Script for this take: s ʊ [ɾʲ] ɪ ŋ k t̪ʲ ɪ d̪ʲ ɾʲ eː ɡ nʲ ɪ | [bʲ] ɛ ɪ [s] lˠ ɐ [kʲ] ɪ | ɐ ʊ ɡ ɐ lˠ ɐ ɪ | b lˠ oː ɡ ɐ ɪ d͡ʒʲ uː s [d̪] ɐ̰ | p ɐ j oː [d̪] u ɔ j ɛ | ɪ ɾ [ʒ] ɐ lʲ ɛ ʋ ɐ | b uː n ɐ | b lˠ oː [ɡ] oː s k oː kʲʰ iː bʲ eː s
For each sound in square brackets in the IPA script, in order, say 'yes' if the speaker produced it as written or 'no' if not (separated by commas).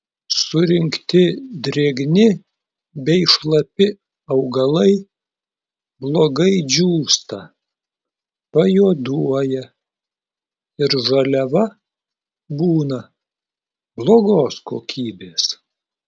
yes, yes, no, no, no, yes, yes, yes